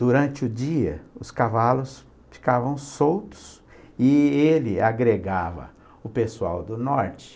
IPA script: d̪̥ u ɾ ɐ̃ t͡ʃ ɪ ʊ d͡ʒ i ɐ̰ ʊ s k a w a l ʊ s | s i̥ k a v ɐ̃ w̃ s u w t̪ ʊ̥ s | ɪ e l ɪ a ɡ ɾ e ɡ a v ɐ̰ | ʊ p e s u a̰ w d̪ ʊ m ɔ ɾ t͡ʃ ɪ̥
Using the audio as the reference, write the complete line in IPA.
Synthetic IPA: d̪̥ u ɾ ɐ̃ t͡ʃ ɪ ʊ d͡ʒ i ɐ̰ ʊ s k a v a l ʊ s | f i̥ k a v ɐ̃ w̃ s o w t̪ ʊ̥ s | ɪ e l ɪ a ɡ ɾ e ɡ a v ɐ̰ | ʊ p e s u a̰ w d̪ ʊ n ɔ ɾ t͡ʃ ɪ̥